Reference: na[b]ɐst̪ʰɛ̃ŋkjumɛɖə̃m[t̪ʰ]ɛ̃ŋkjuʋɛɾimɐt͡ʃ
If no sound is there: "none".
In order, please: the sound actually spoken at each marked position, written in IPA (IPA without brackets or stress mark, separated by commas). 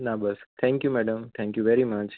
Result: b, t̪ʰ